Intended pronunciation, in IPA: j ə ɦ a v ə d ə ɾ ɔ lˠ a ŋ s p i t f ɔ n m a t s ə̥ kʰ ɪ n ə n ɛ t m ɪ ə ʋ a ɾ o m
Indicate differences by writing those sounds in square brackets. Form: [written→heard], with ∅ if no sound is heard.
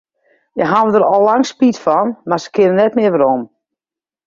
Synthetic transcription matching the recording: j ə ɦ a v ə d ə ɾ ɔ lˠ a ŋ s p i t f ɔ n m a [t→∅] s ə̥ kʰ ɪ n ə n ɛ t m ɪ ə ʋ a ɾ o m